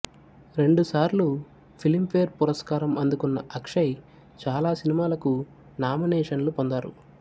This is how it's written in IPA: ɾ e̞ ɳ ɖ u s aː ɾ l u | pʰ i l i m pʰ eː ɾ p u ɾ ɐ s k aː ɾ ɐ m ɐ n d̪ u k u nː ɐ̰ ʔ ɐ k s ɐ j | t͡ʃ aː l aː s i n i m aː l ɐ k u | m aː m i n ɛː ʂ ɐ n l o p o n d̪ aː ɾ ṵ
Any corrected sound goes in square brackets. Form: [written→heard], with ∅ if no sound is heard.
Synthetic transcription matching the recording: ɾ e̞ ɳ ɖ u s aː ɾ l u | pʰ i l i m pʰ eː ɾ p u ɾ ɐ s k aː ɾ ɐ m ɐ n d̪ u k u nː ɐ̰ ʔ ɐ k [s→ʂ] ɐ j | t͡ʃ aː l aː s i n i m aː l ɐ k u | [m→n] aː m i n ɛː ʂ ɐ n l [o→u] p o n d̪ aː ɾ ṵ